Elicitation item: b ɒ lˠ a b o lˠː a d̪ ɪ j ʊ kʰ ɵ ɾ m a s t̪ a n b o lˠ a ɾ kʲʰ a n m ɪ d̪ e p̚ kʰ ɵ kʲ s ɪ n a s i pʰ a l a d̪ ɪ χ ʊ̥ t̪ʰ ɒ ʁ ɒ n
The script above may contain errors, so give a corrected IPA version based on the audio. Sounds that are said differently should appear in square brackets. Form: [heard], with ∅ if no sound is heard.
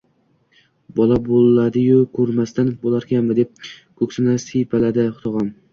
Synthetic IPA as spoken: b ɒ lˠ a b o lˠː a d̪ ɪ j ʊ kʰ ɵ ɾ m a s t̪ a n b o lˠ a ɾ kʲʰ a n m ɪ d̪ e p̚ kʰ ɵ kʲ s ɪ n a s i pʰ a l a d̪ ɪ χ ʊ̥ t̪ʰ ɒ ʁ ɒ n